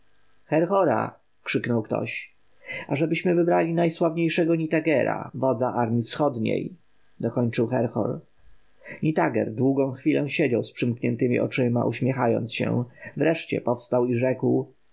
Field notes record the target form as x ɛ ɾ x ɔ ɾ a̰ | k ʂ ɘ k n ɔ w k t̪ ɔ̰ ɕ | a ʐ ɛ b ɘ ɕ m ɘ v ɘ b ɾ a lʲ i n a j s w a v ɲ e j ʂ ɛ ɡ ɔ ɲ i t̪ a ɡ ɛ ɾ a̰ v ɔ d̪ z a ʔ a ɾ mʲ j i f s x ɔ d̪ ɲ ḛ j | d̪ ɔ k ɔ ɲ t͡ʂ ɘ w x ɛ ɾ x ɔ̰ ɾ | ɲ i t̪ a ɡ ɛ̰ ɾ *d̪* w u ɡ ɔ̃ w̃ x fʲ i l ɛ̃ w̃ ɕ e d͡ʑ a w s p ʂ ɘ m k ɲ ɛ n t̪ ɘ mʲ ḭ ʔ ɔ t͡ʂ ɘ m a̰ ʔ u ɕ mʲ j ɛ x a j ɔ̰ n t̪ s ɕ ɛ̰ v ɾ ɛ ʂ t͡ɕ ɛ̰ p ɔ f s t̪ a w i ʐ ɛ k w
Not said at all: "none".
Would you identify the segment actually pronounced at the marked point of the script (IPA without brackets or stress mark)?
d̪